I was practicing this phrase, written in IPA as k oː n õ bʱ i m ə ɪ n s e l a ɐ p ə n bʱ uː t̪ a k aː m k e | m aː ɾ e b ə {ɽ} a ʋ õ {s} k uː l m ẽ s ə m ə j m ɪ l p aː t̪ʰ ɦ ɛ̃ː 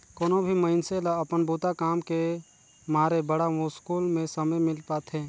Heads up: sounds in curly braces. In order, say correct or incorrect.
correct, correct

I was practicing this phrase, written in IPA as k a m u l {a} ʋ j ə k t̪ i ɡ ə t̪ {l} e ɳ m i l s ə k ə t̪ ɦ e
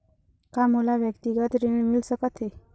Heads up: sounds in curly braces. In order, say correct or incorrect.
correct, incorrect: ɾ

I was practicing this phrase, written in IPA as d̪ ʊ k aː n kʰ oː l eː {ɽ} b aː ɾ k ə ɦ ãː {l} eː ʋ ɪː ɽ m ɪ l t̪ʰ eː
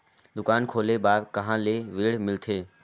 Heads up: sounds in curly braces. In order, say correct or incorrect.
incorrect: none, correct

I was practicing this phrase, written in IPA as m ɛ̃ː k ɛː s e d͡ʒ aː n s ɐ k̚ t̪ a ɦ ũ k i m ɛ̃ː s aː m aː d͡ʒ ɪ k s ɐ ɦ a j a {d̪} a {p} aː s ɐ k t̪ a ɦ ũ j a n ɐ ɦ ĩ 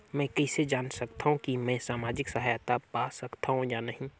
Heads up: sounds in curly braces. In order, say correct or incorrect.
incorrect: t̪, correct

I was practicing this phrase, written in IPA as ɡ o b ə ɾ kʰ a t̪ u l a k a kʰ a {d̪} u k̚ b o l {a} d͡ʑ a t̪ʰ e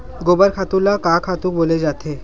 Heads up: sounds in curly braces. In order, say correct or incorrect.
incorrect: t̪, incorrect: e

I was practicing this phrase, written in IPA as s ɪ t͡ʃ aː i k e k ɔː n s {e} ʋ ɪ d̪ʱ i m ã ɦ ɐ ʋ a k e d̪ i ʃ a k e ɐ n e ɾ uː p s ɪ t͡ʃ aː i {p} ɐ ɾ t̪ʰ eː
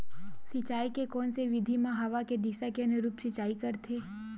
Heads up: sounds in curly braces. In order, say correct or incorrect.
correct, incorrect: k

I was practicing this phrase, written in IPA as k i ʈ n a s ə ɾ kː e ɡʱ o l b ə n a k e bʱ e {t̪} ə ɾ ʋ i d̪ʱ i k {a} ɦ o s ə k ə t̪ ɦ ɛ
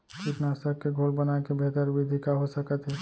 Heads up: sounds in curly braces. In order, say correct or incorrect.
correct, correct

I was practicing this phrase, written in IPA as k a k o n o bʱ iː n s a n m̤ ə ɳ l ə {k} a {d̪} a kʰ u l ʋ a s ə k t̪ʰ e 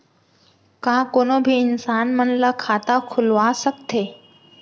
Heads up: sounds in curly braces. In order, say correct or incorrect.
incorrect: kʰ, incorrect: t̪

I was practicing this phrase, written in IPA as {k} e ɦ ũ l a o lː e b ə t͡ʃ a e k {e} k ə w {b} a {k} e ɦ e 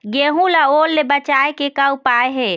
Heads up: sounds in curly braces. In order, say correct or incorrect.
incorrect: ɡ, correct, incorrect: p, incorrect: none

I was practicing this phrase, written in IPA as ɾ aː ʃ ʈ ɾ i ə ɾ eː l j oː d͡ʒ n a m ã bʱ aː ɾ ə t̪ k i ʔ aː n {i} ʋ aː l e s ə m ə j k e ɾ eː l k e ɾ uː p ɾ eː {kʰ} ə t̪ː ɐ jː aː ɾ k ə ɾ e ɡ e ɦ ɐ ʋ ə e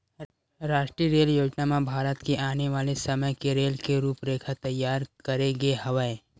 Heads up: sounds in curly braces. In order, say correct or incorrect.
incorrect: e, correct

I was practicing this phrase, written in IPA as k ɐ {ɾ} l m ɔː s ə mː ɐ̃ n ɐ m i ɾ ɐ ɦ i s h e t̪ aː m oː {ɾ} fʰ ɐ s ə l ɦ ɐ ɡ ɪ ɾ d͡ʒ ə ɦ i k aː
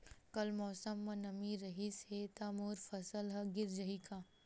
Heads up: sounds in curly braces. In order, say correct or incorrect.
incorrect: none, correct

